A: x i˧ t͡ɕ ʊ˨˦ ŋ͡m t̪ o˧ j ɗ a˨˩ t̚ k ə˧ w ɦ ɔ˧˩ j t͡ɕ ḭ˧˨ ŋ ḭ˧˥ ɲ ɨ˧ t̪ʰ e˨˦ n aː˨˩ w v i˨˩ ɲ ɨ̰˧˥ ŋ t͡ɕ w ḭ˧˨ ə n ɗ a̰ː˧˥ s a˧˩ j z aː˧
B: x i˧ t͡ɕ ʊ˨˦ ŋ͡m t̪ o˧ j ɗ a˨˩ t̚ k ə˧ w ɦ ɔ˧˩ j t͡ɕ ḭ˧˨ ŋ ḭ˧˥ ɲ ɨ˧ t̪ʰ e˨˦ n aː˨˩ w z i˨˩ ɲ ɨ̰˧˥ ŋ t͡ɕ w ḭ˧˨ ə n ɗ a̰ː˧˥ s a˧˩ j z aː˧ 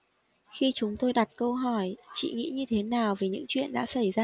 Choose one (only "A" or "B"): A